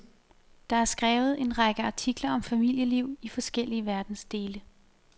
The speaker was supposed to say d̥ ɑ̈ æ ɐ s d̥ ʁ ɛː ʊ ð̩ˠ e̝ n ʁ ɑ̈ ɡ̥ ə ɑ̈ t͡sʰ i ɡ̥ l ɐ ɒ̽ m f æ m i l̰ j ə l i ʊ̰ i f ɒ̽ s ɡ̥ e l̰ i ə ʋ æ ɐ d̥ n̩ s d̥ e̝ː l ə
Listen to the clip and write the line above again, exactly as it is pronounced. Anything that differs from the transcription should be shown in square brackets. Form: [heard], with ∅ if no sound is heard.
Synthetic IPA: d̥ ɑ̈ æ ɐ s [ɡ̥] ʁ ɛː ʊ ð̩ˠ e̝ n ʁ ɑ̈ ɡ̥ ə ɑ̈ t͡sʰ i ɡ̥ l ɐ ɒ̽ m f æ m i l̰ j ə l i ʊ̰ i f ɒ̽ s ɡ̥ e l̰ i ə ʋ æ ɐ d̥ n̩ s d̥ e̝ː l ə